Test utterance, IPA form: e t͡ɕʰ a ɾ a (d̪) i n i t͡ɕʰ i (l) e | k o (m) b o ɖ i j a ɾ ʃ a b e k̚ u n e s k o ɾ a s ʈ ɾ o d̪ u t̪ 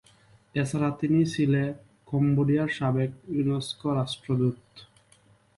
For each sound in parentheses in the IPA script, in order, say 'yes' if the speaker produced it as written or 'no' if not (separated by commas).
no, yes, yes